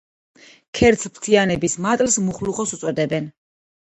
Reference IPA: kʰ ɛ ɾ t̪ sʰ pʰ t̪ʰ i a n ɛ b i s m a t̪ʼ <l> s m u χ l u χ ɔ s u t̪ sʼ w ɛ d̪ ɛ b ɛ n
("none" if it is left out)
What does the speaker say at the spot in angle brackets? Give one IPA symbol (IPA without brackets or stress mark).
l